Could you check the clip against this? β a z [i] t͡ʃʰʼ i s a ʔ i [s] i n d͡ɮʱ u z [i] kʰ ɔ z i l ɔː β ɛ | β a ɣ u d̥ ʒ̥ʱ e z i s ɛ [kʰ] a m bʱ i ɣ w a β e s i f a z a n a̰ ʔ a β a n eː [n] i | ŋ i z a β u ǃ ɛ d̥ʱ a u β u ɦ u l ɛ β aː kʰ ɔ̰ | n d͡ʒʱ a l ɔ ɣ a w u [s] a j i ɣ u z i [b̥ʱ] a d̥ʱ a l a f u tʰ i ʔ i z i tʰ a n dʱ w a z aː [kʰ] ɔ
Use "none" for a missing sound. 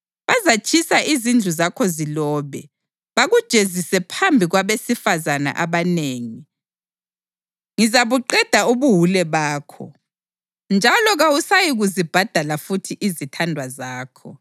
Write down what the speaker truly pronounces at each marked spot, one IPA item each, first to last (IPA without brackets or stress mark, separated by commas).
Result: a, z, a, pʰ, ŋ, s, b̥ʱ, kʰ